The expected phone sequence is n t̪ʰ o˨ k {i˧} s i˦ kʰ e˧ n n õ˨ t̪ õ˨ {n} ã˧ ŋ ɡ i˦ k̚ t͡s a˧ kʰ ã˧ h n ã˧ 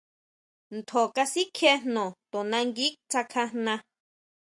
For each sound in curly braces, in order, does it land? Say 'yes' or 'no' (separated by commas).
no, yes